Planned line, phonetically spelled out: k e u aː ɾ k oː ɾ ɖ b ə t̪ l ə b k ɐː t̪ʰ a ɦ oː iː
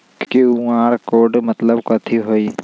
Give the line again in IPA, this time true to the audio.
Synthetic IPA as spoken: k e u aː ɾ k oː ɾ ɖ m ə t̪ l ə b k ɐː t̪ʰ i ɦ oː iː